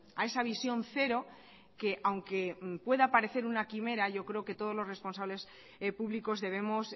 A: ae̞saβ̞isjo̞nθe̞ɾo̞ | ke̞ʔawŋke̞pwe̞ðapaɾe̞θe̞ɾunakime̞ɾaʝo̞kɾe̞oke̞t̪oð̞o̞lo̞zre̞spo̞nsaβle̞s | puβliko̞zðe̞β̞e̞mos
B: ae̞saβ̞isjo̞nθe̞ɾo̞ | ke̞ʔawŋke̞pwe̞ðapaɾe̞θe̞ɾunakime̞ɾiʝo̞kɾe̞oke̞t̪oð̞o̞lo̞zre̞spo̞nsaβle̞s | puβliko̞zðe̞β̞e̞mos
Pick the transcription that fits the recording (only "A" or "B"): A